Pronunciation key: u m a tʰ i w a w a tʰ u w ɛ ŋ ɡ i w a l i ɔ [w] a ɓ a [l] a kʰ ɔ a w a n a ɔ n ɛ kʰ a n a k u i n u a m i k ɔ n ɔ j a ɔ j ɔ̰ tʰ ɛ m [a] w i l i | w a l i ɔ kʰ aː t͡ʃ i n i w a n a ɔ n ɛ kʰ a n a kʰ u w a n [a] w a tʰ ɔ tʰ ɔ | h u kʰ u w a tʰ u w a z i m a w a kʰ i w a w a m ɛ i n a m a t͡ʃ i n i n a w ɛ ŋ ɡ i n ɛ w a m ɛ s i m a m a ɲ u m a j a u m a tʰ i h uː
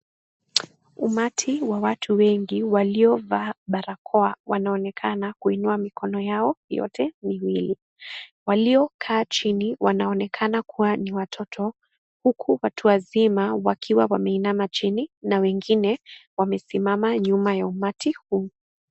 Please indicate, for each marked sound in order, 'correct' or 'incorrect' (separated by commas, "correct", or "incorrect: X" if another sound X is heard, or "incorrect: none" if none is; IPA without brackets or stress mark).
incorrect: v, incorrect: ɾ, incorrect: i, incorrect: i